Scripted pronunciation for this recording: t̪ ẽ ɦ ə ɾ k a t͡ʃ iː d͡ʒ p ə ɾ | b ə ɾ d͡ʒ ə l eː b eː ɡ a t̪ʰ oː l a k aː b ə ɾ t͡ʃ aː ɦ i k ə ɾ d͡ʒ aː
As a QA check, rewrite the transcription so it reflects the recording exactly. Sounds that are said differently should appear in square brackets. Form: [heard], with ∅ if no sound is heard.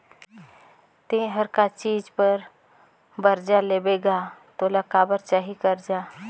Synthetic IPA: t̪ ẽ ɦ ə ɾ k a t͡ʃ iː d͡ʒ p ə ɾ | b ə ɾ d͡ʒ [a] l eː b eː ɡ a [t̪] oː l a k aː b ə ɾ t͡ʃ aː ɦ i k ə ɾ d͡ʒ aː